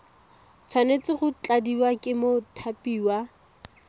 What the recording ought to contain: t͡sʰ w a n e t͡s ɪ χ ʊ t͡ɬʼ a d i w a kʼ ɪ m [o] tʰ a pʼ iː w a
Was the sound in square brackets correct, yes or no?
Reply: yes